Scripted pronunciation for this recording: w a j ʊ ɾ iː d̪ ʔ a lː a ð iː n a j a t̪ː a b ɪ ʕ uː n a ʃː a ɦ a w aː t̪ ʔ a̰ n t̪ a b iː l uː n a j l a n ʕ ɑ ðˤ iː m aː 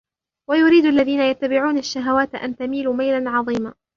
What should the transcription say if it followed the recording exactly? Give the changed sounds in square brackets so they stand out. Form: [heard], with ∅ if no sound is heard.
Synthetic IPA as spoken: w a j ʊ ɾ iː d̪ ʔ a lː a ð iː n a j a t̪ː a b ɪ ʕ uː n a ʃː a ɦ a w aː t̪ ʔ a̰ n t̪ a [m] iː l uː [m] a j l a n ʕ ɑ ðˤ iː m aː